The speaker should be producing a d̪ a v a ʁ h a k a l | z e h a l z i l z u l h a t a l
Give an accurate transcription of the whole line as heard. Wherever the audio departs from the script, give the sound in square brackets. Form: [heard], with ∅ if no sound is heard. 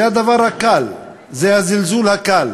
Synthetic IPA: a d̪ a v a ʁ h a k a l | z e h a [∅] z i l z u l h a [k] a l